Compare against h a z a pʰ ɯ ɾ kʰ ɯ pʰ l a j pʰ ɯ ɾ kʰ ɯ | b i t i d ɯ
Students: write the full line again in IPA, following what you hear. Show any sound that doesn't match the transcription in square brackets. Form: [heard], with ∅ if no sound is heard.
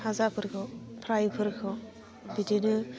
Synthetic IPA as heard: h a z a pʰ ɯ ɾ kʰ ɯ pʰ [ɾ] a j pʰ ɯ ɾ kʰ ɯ | b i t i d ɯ